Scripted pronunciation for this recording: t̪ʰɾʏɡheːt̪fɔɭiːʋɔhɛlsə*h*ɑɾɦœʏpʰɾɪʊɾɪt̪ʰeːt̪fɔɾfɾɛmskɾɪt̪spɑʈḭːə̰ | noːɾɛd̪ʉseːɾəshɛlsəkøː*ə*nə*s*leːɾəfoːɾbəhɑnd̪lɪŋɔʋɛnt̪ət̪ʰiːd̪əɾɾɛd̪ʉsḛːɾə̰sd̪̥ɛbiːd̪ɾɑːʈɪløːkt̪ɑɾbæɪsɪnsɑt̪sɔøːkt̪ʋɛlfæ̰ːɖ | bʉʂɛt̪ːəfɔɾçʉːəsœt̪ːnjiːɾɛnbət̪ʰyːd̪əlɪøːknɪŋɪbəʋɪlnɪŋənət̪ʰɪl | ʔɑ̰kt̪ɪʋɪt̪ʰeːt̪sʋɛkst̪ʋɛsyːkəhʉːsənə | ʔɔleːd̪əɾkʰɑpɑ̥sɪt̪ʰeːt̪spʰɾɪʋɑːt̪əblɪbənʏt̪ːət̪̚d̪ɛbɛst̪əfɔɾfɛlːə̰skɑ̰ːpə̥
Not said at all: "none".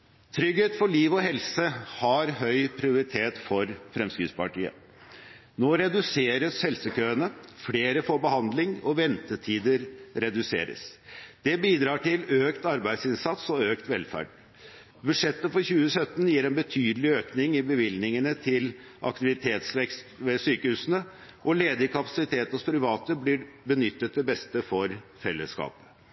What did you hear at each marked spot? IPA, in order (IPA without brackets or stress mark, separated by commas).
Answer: h, ə, f